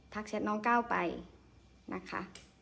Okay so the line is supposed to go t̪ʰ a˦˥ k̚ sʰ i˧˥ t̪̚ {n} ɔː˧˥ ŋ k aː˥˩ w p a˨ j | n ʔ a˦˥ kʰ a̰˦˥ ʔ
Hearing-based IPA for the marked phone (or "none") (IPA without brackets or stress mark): n